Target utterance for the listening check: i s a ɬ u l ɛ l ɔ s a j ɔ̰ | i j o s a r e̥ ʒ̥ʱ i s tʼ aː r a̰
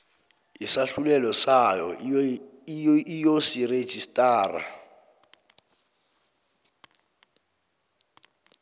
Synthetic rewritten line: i s a ɬ u l ɛ l ɔ s a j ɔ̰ | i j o s i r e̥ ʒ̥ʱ i s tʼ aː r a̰